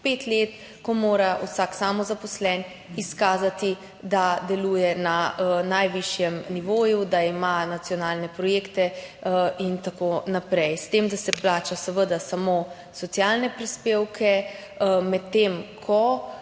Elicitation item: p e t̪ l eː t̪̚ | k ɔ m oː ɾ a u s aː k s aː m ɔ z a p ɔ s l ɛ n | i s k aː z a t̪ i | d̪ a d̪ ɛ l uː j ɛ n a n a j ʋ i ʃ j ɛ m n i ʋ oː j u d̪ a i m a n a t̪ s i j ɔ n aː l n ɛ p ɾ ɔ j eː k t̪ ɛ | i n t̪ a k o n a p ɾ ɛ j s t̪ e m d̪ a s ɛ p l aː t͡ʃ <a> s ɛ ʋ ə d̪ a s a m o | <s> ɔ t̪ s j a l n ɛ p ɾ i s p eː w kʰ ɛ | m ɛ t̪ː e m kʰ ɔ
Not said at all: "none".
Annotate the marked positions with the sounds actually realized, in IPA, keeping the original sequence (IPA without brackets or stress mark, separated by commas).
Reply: a, s